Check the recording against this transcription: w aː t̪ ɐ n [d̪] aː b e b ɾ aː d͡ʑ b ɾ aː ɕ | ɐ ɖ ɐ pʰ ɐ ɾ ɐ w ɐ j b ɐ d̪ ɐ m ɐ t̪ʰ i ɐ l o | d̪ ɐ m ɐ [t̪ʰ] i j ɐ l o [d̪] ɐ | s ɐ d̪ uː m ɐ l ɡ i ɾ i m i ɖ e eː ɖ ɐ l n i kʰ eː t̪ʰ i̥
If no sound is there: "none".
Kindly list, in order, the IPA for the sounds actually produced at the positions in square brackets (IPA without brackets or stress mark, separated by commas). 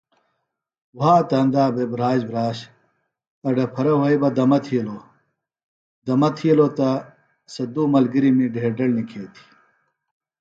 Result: d̪, t̪ʰ, t̪